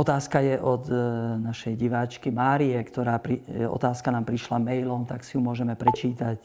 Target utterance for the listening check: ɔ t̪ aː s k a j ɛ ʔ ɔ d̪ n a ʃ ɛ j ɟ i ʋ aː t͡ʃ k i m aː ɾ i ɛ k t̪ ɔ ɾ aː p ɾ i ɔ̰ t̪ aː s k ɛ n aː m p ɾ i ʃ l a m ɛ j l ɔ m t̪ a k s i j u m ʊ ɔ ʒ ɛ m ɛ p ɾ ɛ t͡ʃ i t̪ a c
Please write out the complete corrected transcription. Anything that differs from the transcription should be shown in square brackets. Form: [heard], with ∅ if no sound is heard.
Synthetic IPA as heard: ɔ t̪ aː s k a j ɛ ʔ ɔ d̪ n a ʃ ɛ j ɟ i ʋ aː t͡ʃ k i m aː ɾ i ɛ k t̪ ɔ ɾ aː p ɾ i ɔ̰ t̪ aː s k [a] n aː m p ɾ i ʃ l a m ɛ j l ɔ m t̪ a k s i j u m ʊ ɔ ʒ ɛ m ɛ p ɾ ɛ t͡ʃ [iː] t̪ a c